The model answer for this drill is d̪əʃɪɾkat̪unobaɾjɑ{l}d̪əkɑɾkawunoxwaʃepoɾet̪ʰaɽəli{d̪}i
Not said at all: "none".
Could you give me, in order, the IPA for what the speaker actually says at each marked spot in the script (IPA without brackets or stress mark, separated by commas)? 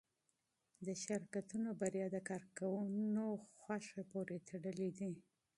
none, d̪